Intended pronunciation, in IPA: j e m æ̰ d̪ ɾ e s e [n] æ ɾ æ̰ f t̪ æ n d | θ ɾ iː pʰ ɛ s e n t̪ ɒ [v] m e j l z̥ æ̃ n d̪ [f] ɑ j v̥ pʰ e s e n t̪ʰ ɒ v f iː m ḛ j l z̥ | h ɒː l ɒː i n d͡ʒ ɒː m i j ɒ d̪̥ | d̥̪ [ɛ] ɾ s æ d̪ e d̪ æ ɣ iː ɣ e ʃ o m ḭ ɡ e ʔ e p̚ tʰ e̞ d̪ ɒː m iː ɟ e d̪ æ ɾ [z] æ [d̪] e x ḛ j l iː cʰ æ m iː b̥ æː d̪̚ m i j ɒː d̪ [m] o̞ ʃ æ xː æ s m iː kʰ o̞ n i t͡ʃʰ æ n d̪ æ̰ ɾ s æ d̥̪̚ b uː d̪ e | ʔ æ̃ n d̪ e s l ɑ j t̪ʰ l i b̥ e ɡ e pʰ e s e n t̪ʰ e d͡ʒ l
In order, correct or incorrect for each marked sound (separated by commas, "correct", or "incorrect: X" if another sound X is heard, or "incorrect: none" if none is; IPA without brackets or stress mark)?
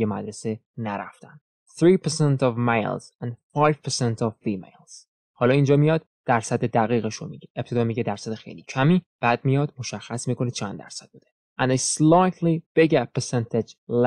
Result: correct, correct, correct, incorrect: æ, incorrect: s, correct, correct